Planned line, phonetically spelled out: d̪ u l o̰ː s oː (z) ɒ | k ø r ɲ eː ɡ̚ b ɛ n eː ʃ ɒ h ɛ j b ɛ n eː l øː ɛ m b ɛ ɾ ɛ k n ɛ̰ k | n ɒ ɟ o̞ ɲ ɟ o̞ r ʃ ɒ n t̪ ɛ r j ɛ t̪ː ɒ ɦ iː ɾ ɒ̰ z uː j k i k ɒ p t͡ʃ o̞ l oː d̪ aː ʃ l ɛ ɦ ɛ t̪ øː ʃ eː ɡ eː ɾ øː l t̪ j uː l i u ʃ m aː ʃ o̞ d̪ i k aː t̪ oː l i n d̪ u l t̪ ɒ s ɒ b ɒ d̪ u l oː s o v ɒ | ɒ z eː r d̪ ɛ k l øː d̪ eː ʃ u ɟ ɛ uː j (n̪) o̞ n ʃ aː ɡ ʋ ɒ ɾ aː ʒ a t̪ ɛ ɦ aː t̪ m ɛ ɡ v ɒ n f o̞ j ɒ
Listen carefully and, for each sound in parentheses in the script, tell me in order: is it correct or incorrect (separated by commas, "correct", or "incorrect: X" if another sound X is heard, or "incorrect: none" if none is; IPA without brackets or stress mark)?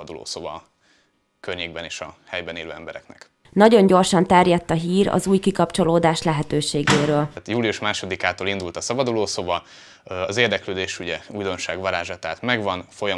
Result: incorrect: v, incorrect: d̪